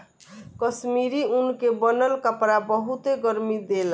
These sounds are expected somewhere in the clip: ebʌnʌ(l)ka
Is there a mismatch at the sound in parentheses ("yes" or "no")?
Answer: no